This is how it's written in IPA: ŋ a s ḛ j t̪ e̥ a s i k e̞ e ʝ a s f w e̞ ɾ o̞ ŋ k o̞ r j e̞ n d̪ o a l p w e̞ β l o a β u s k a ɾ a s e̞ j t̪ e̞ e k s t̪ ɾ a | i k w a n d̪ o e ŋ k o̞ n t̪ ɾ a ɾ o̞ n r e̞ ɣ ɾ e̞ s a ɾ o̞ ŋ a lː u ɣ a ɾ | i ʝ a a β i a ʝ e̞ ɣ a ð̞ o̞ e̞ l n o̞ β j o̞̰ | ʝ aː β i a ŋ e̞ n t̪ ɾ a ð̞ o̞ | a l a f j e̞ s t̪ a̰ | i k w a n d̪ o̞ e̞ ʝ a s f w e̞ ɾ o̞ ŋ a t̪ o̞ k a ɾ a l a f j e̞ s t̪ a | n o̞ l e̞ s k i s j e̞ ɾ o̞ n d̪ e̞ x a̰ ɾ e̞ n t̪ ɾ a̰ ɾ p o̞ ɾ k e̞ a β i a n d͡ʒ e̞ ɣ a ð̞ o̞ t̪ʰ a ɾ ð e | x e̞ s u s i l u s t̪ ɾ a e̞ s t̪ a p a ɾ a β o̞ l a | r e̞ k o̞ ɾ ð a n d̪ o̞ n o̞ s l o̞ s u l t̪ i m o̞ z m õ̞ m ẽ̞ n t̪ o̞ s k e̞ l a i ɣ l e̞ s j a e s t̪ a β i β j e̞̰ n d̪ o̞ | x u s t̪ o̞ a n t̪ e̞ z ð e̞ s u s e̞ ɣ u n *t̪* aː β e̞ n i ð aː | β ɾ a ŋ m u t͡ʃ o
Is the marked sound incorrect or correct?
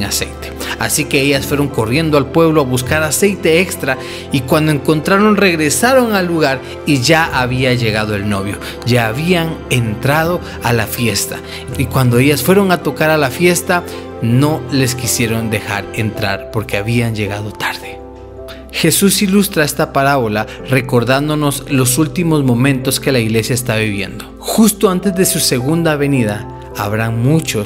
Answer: incorrect